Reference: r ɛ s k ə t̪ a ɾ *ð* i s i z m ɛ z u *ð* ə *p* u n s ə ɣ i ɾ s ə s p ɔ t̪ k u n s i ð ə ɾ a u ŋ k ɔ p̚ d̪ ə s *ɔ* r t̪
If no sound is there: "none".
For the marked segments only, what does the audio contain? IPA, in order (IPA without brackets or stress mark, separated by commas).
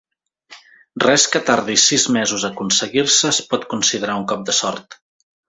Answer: ð, z, k, ɔ